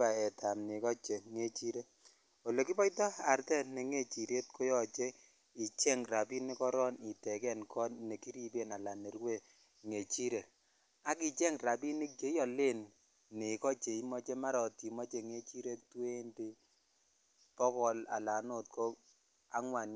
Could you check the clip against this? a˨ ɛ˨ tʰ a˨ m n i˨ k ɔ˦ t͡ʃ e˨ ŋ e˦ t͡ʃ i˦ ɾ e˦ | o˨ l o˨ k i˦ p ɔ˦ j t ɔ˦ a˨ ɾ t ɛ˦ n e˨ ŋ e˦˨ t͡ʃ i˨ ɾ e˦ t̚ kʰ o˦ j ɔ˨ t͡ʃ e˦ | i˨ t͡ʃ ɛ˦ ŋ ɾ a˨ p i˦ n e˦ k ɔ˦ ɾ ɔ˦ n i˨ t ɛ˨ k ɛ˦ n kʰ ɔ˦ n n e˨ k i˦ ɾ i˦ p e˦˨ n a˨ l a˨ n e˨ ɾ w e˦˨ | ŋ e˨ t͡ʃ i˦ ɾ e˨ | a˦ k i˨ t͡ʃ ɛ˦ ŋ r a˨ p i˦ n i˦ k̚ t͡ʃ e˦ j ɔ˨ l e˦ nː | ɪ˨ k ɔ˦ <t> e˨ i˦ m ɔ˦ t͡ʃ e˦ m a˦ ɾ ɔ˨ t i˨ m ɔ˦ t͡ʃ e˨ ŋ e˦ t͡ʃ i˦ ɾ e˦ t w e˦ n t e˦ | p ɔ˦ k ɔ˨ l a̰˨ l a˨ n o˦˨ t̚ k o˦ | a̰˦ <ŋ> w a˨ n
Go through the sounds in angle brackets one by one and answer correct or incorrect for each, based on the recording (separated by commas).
incorrect, correct